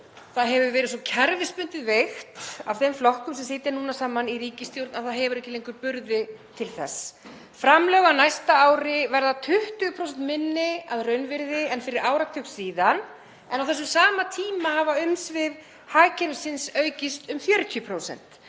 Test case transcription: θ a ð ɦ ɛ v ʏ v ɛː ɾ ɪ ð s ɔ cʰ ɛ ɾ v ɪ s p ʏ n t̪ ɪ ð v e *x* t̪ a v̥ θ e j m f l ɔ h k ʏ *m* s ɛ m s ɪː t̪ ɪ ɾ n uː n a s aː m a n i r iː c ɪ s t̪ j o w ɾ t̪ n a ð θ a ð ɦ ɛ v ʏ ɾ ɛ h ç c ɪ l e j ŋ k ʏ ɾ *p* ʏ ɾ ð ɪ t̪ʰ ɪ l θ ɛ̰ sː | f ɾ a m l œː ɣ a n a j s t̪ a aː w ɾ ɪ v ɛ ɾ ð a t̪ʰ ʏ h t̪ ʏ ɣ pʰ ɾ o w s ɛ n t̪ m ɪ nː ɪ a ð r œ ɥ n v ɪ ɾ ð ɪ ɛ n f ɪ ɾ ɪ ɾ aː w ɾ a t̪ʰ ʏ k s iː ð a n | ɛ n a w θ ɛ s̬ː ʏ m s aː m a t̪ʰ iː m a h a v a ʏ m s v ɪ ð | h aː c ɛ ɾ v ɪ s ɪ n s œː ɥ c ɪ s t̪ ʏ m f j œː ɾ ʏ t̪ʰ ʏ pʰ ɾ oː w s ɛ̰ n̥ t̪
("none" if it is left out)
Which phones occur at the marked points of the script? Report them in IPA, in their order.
x, m, p

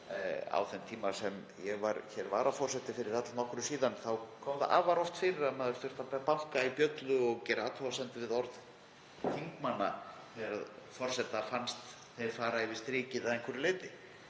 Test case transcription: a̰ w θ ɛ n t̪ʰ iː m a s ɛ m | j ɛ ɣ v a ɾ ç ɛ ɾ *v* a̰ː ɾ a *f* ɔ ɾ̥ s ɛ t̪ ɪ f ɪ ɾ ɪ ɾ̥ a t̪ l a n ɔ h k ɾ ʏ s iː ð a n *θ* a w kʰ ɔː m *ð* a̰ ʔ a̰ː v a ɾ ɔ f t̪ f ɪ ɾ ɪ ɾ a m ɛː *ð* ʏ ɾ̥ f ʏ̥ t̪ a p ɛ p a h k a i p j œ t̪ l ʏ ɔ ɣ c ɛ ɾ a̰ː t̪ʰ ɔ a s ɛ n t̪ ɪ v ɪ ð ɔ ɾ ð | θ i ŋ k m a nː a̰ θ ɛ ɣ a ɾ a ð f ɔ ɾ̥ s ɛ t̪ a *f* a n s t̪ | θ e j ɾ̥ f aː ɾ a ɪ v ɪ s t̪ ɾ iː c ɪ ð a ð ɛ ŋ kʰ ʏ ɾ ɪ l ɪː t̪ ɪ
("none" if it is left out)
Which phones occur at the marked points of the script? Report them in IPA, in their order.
v, f, θ, ð, ð, f

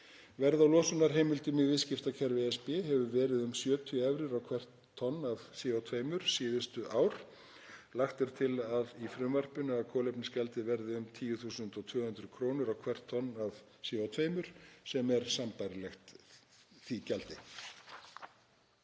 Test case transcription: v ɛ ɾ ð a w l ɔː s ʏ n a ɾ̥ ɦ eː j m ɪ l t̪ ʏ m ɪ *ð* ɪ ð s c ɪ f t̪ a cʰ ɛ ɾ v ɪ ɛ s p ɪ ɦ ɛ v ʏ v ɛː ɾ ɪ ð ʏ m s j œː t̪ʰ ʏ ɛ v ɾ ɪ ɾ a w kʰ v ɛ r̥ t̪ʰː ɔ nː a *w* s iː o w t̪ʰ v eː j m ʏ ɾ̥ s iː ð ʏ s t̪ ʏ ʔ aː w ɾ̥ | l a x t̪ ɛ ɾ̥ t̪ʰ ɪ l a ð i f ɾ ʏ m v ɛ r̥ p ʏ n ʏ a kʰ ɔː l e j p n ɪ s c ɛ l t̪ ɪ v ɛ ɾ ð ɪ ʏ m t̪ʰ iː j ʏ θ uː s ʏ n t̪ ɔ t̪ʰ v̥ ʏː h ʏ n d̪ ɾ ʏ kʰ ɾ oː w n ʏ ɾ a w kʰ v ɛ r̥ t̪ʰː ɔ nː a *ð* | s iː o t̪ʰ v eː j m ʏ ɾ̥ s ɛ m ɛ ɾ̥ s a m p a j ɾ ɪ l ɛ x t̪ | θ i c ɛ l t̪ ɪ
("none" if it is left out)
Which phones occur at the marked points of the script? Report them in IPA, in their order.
v, v, v

